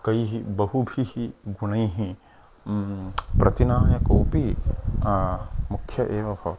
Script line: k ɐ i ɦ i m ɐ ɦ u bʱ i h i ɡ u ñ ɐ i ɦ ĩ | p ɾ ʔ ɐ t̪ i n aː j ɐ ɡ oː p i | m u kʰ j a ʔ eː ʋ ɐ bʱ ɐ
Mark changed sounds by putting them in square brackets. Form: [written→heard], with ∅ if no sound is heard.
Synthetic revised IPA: k ɐ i ɦ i [m→b] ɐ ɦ u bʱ i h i ɡ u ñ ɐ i ɦ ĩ | p ɾ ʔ ɐ t̪ i n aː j ɐ [ɡ→k] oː p i | m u kʰ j [a→ɐ] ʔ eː ʋ ɐ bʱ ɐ